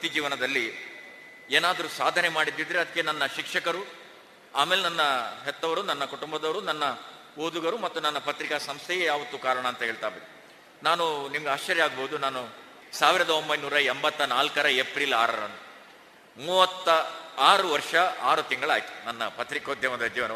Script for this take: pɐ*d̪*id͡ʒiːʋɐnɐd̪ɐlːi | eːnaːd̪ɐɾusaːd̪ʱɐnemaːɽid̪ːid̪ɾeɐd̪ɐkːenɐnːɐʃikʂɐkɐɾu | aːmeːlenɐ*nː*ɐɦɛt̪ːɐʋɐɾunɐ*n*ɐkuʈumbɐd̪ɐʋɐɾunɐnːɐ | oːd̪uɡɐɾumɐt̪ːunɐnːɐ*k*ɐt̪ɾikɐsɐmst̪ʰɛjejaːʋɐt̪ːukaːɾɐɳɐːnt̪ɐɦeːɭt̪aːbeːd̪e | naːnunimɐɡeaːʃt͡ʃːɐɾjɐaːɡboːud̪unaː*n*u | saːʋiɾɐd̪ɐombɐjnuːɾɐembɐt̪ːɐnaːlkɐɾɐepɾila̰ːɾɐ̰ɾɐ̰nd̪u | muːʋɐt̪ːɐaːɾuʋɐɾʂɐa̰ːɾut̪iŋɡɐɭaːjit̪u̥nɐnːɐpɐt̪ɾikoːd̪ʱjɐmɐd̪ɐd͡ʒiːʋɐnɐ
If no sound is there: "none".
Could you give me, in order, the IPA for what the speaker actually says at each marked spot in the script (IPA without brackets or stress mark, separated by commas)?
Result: t̪, nː, nː, p, n